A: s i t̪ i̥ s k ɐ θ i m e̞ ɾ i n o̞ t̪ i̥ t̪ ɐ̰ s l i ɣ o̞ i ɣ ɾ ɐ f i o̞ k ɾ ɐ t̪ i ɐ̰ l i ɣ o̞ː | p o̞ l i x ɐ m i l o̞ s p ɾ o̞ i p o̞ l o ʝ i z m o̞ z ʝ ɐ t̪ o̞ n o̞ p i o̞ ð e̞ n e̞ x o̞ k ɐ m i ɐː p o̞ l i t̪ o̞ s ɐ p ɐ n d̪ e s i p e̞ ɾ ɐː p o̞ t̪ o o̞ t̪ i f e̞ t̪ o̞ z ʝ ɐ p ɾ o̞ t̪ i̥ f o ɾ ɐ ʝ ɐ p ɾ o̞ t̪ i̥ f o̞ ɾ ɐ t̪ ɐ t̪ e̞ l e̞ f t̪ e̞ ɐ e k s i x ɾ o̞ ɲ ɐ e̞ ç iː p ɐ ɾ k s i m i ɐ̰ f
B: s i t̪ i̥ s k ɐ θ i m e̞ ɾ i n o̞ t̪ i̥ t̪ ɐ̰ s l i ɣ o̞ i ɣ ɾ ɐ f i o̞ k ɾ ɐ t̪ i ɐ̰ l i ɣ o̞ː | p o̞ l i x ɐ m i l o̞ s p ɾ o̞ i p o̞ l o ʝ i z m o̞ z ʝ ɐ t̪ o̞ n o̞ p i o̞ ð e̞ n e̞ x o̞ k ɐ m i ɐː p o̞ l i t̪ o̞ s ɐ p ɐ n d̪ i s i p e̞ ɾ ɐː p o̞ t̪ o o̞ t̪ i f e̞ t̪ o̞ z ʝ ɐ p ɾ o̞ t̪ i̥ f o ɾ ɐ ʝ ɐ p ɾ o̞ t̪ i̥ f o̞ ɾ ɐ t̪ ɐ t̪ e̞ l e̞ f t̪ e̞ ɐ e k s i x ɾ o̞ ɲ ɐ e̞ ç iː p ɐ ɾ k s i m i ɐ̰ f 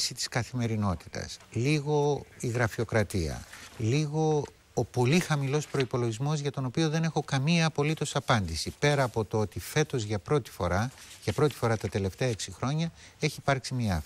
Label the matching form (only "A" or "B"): B